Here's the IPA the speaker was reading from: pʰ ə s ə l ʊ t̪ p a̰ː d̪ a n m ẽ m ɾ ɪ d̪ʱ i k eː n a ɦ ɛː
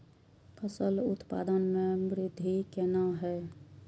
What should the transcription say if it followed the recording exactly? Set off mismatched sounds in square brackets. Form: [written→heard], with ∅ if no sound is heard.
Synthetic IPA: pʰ ə s ə l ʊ t̪ p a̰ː d̪ [a→ə] n m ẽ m ɾ ɪ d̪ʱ i k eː n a ɦ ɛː